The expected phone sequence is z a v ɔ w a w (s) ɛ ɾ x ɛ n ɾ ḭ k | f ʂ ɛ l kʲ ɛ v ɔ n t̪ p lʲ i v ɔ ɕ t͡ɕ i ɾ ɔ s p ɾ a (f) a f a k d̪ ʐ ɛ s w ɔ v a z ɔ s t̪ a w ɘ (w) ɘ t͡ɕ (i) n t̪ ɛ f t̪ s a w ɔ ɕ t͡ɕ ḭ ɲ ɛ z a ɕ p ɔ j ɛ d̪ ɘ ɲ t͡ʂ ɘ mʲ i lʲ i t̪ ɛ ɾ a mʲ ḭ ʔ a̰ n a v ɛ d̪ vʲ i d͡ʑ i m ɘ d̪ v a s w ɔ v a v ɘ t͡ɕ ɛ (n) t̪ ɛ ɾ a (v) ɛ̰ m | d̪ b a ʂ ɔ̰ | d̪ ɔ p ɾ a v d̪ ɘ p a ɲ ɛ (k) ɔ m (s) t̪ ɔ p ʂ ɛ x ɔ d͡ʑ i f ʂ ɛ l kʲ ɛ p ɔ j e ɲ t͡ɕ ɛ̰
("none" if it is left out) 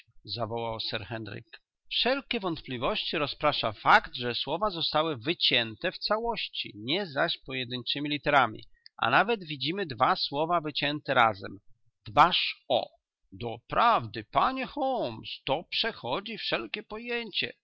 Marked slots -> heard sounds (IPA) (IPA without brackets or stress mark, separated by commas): s, ʂ, v, ɛ, n, z, x, s